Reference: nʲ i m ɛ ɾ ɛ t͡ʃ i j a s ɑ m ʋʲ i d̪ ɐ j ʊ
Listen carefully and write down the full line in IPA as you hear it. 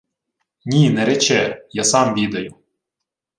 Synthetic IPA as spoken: nʲ i n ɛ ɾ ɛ t͡ʃ ɛ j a s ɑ m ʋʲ i d̪ ɐ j ʊ